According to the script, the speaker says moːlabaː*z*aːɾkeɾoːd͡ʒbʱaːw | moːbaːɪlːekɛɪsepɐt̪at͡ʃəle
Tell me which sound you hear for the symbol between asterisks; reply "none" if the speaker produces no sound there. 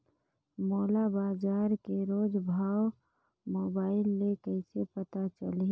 z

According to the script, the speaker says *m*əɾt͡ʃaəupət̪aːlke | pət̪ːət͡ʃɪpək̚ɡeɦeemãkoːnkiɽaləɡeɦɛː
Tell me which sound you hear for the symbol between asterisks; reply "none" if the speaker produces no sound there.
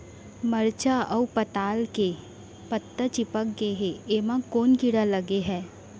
m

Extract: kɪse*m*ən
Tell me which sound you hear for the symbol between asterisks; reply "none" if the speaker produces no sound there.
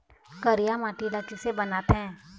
b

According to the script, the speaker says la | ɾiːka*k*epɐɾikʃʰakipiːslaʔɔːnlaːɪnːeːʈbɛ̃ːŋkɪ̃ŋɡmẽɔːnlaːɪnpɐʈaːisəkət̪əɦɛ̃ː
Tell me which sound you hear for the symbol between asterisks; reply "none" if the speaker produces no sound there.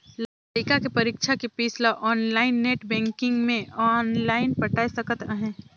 k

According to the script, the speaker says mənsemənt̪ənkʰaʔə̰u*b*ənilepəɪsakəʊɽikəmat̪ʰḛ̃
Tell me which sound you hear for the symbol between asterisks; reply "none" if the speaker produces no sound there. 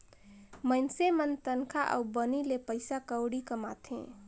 b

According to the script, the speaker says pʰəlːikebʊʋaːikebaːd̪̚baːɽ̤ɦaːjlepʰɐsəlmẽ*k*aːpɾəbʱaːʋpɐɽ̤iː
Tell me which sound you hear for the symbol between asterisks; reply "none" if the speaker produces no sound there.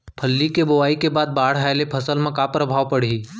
k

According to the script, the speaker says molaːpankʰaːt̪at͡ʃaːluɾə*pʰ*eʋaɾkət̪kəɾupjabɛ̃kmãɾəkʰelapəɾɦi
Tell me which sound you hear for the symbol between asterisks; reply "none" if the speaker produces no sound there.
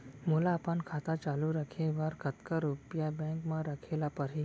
kʰ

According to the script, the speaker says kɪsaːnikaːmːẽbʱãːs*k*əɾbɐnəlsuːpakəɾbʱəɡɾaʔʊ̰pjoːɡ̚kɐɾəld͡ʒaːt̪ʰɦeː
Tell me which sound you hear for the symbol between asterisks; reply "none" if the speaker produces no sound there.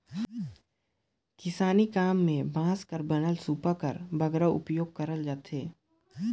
k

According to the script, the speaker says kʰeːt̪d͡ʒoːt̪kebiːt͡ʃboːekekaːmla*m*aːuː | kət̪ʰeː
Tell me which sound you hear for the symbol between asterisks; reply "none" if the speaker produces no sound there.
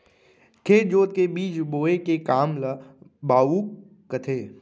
b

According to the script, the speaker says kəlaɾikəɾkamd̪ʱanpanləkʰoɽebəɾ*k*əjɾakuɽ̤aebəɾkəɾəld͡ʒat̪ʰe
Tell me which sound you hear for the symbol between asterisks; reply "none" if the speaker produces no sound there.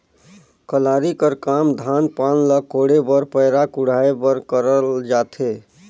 p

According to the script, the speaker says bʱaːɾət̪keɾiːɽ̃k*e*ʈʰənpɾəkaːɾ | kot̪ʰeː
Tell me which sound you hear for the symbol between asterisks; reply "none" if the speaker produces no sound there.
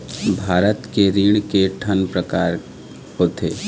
e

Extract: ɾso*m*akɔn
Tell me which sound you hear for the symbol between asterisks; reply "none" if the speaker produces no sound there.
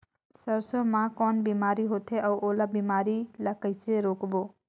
m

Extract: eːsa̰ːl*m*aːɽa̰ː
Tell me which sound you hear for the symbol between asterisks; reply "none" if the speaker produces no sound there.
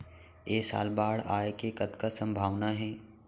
b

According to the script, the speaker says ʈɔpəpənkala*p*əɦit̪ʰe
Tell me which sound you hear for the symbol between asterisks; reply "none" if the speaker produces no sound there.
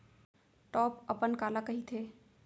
k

